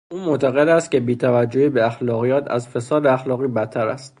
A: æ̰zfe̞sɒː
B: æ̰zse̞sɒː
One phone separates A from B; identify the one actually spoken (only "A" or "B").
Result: A